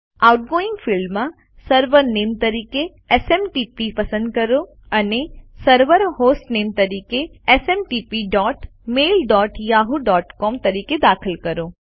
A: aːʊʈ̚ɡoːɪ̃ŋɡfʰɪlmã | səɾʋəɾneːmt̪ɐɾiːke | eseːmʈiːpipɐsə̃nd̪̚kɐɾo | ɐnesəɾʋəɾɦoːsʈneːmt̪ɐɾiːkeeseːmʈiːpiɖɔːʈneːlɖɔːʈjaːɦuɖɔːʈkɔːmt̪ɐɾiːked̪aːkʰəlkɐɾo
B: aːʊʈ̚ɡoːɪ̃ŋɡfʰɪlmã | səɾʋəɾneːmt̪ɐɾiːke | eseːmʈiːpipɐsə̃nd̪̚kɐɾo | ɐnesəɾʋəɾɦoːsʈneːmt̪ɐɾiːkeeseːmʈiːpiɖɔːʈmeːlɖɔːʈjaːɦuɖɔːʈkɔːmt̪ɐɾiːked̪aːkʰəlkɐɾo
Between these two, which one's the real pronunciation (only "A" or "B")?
B